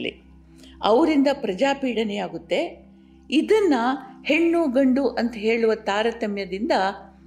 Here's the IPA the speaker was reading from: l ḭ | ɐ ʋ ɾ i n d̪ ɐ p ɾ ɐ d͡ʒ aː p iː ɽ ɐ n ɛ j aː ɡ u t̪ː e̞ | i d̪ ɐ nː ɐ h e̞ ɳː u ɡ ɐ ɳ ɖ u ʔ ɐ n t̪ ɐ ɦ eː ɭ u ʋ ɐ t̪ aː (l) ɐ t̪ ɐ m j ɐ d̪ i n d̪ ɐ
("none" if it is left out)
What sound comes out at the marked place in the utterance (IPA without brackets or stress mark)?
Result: ɾ